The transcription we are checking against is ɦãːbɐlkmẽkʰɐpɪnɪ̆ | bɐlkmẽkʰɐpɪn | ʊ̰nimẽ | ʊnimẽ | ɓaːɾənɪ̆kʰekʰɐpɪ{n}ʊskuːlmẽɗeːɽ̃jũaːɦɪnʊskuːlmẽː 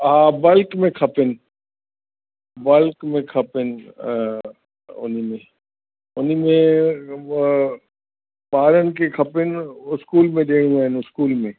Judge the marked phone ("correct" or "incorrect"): correct